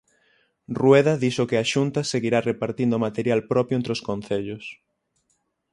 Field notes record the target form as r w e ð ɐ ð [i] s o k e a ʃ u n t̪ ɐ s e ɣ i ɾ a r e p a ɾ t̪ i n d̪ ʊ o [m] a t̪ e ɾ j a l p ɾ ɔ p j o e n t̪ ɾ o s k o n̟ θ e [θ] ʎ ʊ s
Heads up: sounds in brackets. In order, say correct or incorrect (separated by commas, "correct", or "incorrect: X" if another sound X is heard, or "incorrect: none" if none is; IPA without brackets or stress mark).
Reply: correct, correct, incorrect: none